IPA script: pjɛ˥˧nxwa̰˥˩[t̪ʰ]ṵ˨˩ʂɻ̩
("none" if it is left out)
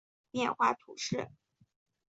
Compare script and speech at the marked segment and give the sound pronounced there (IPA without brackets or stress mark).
t̪ʰ